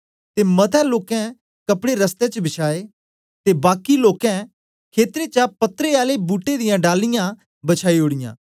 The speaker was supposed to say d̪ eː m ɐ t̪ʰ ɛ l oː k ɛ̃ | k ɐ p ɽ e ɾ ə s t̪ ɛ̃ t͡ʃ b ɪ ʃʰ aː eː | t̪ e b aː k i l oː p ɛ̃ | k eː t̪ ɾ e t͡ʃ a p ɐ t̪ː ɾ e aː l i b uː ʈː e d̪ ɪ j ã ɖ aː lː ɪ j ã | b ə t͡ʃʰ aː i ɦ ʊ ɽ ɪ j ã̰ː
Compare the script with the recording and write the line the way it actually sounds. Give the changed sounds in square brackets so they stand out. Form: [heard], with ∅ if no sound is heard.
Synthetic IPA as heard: [t̪] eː m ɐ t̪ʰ ɛ l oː k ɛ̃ | k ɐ p ɽ e ɾ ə s t̪ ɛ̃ t͡ʃ b ɪ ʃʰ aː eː | t̪ e b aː k i l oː [k] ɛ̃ | [kʰ] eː t̪ ɾ e t͡ʃ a p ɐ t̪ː ɾ e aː l [e] b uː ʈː e d̪ ɪ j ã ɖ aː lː ɪ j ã | b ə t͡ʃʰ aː i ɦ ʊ ɽ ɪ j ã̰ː